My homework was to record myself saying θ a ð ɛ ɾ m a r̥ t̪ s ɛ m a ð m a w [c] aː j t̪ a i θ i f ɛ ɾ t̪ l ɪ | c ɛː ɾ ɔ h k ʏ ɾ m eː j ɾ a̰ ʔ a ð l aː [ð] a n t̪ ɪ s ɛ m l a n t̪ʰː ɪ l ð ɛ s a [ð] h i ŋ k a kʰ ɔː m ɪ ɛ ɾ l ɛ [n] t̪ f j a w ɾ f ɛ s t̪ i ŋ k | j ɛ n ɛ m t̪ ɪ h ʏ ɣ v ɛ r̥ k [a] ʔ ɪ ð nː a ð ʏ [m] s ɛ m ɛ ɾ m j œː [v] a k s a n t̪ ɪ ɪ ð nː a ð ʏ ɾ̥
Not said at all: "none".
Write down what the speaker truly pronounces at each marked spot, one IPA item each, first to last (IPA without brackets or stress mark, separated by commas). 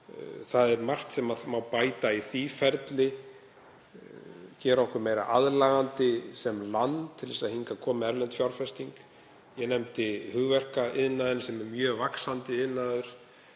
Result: p, ɣ, ð, n, a, n, v